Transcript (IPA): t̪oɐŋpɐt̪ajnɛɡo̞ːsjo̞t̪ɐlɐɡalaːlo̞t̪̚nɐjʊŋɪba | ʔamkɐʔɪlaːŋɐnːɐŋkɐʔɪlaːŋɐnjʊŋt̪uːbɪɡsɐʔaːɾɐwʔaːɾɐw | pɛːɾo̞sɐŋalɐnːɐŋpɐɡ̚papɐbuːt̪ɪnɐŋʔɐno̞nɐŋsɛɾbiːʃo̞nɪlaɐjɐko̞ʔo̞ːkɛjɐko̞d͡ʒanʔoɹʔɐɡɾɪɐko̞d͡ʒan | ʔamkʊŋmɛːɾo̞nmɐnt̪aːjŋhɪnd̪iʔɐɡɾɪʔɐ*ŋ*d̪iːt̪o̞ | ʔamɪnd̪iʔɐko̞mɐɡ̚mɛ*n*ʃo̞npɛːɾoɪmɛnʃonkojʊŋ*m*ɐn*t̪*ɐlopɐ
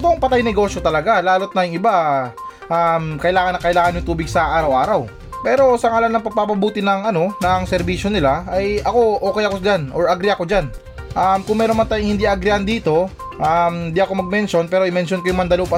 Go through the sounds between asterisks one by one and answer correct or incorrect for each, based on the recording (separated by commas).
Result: incorrect, correct, correct, incorrect